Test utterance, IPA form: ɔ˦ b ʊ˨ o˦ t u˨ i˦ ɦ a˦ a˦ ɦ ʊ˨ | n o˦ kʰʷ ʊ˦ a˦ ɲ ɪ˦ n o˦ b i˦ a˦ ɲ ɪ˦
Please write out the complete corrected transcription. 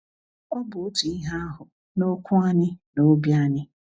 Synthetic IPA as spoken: ɔ˦ b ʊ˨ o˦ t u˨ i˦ ɦ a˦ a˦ ɦ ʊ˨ | n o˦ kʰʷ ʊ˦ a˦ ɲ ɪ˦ n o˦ b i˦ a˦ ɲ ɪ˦